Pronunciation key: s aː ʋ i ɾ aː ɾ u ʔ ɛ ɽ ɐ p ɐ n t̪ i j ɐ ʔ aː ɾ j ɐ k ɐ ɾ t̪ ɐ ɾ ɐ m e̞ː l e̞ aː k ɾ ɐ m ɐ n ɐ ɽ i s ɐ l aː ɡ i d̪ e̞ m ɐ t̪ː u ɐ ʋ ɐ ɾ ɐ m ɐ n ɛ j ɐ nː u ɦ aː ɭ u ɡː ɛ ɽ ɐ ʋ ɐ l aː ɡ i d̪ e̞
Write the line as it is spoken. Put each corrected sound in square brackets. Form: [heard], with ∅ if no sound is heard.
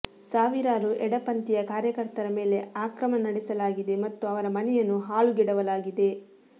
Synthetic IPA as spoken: s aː ʋ i ɾ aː ɾ u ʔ ɛ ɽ ɐ p ɐ n t̪ i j ɐ [k] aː ɾ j ɐ k ɐ ɾ t̪ ɐ ɾ ɐ m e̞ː l e̞ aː k ɾ ɐ m ɐ n ɐ ɽ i s ɐ l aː ɡ i d̪ e̞ m ɐ t̪ː u ɐ ʋ ɐ ɾ ɐ m ɐ n ɛ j ɐ nː u ɦ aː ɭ u [ɡ] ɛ ɽ ɐ ʋ ɐ l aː ɡ i d̪ e̞